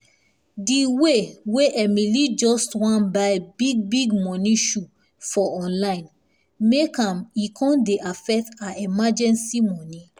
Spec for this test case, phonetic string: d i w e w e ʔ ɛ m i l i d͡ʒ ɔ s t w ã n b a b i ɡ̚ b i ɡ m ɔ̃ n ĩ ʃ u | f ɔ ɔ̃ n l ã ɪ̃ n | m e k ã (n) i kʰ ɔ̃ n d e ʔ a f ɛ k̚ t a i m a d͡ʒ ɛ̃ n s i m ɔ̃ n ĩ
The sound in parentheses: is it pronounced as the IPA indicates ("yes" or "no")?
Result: no